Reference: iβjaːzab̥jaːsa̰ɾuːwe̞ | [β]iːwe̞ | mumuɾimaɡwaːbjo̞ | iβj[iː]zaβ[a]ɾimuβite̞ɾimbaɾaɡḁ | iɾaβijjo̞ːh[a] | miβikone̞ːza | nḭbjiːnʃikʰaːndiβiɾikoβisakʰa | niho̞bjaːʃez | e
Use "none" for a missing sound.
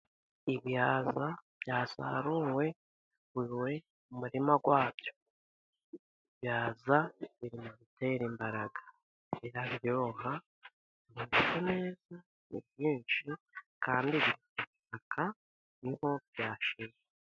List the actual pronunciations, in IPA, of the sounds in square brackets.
w, aː, i, a

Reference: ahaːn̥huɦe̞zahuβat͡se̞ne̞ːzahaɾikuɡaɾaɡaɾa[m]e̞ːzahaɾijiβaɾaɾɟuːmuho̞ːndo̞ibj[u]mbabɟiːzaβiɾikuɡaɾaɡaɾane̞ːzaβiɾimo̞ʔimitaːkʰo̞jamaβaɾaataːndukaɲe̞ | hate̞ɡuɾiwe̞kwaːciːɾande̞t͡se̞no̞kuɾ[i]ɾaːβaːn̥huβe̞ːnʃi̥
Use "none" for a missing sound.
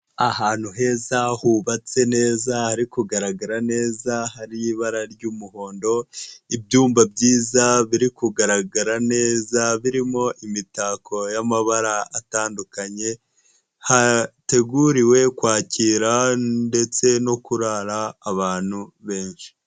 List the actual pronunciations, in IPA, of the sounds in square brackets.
n, uː, a

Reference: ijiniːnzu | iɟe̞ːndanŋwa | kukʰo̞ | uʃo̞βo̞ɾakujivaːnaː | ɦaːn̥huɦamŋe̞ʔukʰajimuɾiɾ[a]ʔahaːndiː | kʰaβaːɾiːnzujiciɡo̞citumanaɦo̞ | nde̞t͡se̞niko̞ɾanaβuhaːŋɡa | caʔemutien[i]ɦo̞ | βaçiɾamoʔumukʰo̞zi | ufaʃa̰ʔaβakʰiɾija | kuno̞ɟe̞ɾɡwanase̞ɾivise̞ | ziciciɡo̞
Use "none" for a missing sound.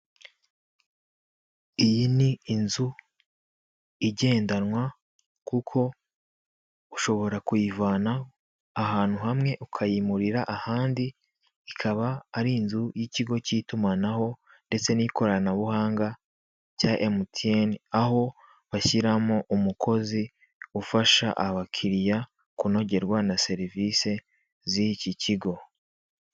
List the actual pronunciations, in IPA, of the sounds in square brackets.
a, a

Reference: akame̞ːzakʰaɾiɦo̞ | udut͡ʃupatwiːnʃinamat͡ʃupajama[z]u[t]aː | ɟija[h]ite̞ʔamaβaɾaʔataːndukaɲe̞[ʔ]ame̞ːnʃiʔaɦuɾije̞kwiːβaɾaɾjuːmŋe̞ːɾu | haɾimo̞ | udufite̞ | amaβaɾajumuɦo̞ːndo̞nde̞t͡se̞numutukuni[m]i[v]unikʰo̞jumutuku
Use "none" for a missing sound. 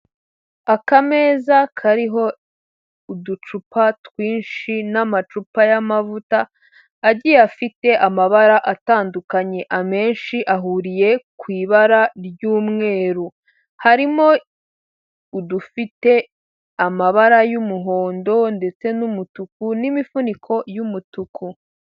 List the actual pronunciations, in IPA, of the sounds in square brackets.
v, t, f, ʔ, m, f

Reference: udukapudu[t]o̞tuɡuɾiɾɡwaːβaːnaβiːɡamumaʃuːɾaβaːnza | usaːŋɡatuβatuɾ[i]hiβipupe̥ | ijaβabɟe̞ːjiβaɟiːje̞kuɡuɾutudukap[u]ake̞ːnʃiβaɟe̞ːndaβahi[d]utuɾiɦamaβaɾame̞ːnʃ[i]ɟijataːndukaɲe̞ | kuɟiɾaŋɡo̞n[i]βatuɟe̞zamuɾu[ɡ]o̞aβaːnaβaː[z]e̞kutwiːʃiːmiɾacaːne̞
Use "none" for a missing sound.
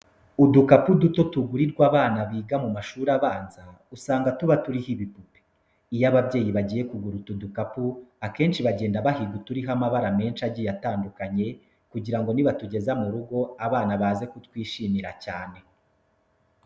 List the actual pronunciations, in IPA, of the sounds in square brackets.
t, i, u, ɡ, a, i, ɡ, z

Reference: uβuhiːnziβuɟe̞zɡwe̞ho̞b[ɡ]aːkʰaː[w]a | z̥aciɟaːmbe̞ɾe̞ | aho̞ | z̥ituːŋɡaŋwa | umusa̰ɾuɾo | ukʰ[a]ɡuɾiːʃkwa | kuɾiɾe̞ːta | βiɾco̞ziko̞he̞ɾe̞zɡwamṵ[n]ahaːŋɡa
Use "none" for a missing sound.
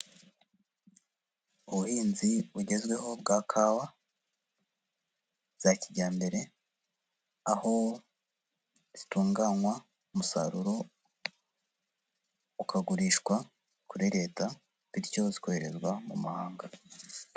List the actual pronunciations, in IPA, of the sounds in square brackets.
ɡ, w, a, m

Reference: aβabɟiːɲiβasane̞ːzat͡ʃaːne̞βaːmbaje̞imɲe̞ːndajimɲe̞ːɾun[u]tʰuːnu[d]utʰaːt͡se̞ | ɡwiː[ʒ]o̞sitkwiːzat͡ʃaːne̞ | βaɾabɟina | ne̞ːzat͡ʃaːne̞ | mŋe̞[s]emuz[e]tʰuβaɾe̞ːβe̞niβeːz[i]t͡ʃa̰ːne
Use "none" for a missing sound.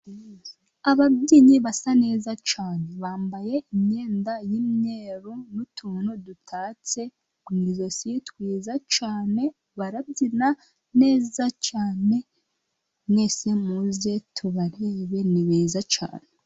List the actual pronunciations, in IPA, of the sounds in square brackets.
u, d, z, s, e, a

